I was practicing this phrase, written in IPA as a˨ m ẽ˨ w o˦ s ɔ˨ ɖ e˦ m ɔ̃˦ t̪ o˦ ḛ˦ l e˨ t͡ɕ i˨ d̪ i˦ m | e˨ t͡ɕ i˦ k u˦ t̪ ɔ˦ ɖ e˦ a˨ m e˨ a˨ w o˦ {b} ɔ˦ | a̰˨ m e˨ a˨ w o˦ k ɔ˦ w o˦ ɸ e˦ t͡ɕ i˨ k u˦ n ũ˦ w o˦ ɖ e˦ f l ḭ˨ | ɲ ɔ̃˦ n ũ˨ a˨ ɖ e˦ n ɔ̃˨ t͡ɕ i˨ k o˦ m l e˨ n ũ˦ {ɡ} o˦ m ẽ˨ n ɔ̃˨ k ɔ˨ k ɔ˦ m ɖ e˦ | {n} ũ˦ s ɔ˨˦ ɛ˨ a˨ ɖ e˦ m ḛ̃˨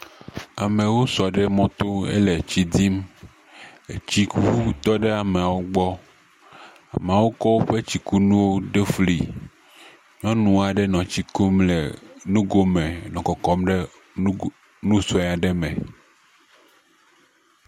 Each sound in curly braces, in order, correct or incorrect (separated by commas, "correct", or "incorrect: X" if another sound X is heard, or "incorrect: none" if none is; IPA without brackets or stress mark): incorrect: ɡ͡b, correct, correct